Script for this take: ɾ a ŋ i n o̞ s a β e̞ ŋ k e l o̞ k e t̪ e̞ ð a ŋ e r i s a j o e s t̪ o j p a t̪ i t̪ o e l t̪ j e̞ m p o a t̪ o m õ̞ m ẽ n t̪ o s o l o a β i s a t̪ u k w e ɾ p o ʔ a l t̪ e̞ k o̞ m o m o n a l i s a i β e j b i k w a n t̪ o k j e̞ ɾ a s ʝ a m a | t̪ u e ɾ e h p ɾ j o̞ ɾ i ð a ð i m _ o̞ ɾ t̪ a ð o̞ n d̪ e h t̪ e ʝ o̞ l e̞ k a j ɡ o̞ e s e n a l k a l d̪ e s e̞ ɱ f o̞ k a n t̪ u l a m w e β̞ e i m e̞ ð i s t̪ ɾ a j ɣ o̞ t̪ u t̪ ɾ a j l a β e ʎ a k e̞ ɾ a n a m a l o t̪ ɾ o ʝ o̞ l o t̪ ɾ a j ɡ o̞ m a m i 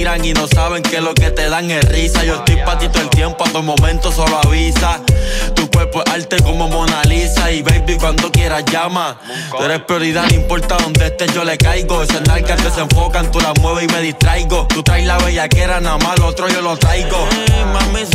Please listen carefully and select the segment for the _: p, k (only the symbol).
p